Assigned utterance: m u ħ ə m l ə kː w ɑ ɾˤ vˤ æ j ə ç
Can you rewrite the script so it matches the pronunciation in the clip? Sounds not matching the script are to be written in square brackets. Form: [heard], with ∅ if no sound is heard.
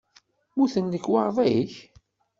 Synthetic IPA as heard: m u [θ] ə [n] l ə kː w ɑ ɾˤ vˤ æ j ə ç